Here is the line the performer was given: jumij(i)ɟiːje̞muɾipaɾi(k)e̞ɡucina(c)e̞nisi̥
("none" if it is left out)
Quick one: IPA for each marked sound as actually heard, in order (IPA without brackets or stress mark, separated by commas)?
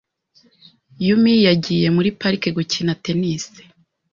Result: a, k, t